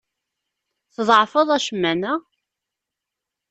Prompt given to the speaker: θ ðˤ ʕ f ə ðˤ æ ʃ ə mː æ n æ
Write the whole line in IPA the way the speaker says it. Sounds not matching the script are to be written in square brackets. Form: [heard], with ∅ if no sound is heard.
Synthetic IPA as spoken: θ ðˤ ʕ f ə ðˤ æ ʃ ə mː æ n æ